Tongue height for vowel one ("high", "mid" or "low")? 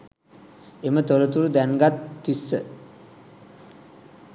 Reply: mid